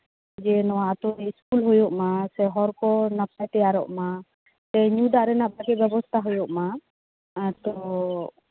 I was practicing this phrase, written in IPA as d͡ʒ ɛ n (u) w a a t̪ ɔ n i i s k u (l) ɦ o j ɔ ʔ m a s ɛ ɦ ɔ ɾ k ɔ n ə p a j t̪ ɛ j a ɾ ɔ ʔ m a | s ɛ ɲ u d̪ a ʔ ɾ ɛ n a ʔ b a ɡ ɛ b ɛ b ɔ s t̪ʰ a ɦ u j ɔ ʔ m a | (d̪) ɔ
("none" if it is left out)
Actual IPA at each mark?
ɔ, l, t̪

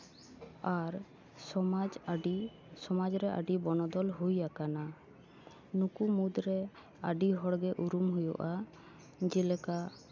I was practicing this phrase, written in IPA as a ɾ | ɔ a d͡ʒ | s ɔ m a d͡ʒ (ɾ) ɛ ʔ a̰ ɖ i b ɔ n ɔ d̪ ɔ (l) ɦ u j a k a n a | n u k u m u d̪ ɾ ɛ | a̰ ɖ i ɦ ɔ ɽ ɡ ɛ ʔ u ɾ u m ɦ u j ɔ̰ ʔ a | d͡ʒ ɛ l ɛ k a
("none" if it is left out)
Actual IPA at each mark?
ɾ, l

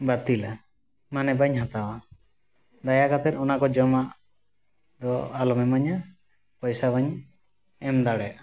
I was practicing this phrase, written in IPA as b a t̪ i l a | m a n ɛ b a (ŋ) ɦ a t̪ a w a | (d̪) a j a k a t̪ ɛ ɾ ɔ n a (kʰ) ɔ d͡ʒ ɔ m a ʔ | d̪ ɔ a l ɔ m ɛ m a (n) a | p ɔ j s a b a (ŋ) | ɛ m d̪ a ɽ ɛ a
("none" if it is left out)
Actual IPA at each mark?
ɲ, d̪, k, ɲ, ɲ

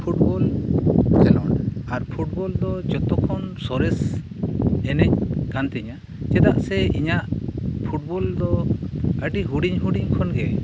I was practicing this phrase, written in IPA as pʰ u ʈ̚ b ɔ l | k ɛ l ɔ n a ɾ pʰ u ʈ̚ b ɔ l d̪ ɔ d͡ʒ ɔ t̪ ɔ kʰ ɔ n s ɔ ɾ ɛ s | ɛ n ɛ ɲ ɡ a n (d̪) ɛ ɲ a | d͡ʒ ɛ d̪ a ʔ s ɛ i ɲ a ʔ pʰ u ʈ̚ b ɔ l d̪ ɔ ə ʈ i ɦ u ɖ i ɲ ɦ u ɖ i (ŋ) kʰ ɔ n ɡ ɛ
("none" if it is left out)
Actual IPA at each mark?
t̪, ɲ

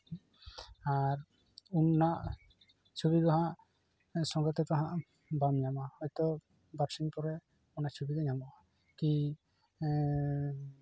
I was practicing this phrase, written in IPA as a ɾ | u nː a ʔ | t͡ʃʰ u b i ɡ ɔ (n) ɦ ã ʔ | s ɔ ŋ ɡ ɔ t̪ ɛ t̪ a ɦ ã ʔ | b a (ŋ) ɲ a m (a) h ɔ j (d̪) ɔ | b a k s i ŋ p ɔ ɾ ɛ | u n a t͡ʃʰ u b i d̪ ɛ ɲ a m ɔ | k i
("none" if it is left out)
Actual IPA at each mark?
none, m, a, t̪

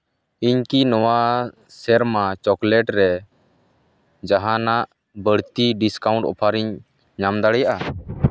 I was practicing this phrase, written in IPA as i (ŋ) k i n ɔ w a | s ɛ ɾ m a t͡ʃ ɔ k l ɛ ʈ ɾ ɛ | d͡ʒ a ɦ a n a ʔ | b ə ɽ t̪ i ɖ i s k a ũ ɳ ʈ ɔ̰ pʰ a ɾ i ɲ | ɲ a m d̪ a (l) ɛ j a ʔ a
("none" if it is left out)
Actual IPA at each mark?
ɲ, ɽ

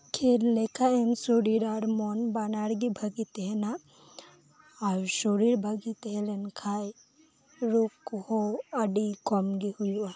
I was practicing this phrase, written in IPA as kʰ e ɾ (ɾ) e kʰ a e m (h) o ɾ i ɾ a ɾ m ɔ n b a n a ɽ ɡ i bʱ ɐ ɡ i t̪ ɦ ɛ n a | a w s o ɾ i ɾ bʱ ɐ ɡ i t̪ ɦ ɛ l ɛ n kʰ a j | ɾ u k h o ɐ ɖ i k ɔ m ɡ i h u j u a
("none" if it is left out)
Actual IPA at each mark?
l, s

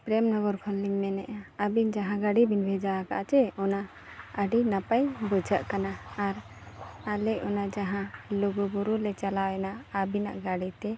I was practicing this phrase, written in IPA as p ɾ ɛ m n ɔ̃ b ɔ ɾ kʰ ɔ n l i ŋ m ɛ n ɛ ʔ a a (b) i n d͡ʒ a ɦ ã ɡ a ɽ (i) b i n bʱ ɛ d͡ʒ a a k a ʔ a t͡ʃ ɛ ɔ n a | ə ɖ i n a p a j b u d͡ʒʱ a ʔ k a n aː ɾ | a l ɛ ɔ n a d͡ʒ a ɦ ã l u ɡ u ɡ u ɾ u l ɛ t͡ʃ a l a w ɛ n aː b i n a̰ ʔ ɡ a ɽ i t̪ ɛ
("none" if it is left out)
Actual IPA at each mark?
b, i

